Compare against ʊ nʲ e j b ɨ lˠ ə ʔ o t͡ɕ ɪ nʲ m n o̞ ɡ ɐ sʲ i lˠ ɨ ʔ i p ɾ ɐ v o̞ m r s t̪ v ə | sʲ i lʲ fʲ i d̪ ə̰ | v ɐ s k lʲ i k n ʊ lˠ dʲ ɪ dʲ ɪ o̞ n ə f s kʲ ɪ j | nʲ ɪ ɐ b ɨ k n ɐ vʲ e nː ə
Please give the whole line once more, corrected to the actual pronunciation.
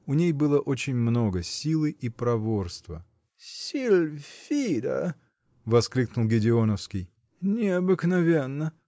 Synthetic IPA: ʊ nʲ e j b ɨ lˠ ə ʔ o t͡ɕ ɪ nʲ m n o̞ ɡ ə sʲ i lˠ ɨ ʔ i p ɾ ɐ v o̞ r s t̪ v ə | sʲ i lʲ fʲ i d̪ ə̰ | v ɐ s k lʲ i k n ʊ lˠ ɡʲ ɪ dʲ ɪ o̞ n ə f s kʲ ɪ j | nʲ ɪ ɐ b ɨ k n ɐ vʲ e nː ə